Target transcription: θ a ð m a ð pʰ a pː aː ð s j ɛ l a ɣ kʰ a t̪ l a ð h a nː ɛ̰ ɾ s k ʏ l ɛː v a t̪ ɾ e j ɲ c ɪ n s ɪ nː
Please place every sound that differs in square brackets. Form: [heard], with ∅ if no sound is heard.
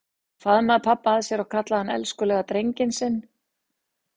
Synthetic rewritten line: [f] a ð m a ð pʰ a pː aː ð s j ɛ [ɾ] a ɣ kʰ a t̪ l a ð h a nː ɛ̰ [l] s k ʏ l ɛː [ɣ] a t̪ ɾ e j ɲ c ɪ n s ɪ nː